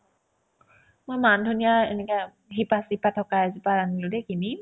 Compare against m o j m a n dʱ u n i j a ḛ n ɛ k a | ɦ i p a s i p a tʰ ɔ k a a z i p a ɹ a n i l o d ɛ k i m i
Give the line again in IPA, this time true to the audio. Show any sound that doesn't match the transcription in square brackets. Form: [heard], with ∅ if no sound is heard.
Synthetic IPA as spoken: m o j m a n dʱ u n i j a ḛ n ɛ k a | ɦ i p a s i p a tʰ ɔ k a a z i p a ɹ a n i l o d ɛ k i [n] i